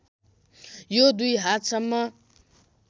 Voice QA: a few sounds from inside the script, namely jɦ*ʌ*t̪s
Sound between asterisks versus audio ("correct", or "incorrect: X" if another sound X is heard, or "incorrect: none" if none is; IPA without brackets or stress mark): incorrect: a